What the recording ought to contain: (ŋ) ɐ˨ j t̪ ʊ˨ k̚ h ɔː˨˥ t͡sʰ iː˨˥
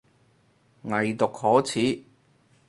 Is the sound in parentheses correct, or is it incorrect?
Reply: correct